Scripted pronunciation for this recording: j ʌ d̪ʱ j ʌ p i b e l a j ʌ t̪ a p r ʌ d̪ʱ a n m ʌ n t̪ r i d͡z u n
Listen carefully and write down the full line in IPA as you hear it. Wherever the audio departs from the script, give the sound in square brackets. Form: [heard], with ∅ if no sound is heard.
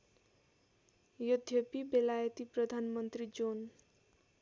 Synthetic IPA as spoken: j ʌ d̪ʱ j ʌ p i b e l a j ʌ t̪ [i] p r ʌ d̪ʱ a n m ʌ n t̪ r i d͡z [o] n